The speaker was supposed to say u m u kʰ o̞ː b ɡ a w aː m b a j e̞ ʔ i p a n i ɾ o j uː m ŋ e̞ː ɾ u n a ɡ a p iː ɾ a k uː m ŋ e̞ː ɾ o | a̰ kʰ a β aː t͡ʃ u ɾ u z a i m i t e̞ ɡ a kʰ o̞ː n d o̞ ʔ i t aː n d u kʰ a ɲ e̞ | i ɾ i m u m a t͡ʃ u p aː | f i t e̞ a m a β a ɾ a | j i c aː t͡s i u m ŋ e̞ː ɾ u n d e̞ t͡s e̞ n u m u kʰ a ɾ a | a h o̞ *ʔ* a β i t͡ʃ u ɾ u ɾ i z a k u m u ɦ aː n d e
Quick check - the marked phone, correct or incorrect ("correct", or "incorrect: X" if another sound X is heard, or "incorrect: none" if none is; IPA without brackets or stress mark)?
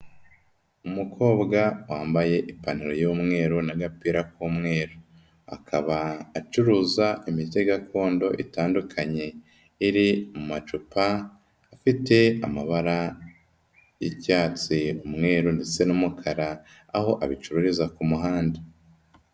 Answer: correct